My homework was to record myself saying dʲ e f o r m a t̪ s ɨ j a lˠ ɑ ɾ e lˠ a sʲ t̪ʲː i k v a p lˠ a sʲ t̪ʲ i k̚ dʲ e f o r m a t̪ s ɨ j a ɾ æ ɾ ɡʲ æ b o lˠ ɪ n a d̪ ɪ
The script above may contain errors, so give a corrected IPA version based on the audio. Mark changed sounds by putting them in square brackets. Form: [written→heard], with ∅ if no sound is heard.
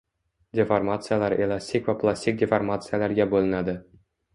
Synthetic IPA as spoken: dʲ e f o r m a t̪ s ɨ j a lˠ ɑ ɾ e lˠ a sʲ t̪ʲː i k v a p lˠ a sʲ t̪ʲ i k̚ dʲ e f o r m a t̪ s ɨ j a [ɾ→l] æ ɾ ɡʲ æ b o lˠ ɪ n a d̪ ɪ